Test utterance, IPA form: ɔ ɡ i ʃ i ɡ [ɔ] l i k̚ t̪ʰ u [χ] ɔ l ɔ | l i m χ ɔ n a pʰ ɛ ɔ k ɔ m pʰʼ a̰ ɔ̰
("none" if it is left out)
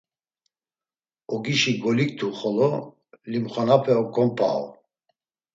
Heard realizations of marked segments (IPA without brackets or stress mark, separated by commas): ɔ, χ